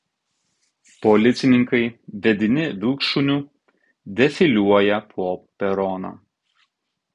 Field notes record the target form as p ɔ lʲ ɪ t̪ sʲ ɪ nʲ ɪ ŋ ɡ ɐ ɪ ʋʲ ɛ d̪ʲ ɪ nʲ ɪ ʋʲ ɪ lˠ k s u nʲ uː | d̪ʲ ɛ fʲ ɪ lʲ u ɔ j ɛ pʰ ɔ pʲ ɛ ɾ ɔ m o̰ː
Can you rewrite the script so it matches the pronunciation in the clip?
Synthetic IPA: p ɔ lʲ ɪ t̪ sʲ ɪ nʲ ɪ ŋ k ɐ ɪ ʋʲ ɛ d̪ʲ ɪ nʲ ɪ ʋʲ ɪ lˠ k ʃ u nʲ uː | d̪ʲ ɛ fʲ ɪ lʲ u ɔ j ɛ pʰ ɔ pʲ ɛ ɾ ɔ n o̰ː